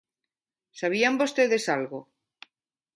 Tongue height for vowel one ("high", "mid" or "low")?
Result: low